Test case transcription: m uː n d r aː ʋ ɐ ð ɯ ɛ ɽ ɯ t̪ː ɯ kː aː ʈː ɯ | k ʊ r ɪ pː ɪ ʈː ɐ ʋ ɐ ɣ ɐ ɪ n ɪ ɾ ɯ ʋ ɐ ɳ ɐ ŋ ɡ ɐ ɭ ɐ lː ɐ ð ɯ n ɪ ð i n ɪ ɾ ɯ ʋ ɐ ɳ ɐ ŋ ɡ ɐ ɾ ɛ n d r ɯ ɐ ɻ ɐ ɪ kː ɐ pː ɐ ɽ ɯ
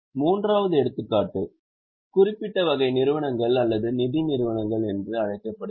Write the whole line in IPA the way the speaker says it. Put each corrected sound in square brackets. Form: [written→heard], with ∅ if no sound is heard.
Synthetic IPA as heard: m uː n d r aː ʋ ɐ ð ɯ ɛ ɽ ɯ t̪ː ɯ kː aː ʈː ɯ | k ʊ r ɪ pː ɪ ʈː ɐ ʋ ɐ ɣ ɐ ɪ n ɪ ɾ ɯ ʋ ɐ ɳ ɐ ŋ ɡ ɐ ɭ ɐ lː ɐ ð ɯ n ɪ ð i n ɪ ɾ ɯ ʋ ɐ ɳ ɐ ŋ ɡ ɐ [ɾ→ɭ] ɛ n d r ɯ ɐ ɻ ɐ ɪ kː ɐ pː ɐ ɽ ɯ